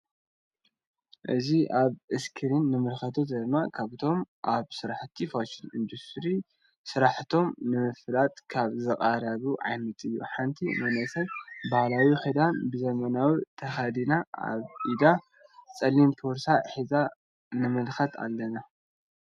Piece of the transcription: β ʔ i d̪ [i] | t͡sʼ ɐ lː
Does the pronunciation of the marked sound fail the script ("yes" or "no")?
yes